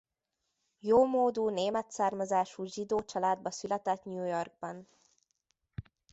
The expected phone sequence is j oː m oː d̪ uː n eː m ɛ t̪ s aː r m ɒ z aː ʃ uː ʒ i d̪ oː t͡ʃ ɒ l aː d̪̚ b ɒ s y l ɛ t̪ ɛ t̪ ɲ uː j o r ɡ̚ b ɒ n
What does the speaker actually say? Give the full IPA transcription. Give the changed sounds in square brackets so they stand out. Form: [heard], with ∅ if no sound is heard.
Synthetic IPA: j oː m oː d̪ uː n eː m ɛ t̪ s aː r m ɒ z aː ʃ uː ʒ i d̪ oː t͡ʃ ɒ l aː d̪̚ b ɒ s y l ɛ t̪ ɛ t̪ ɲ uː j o r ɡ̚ b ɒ n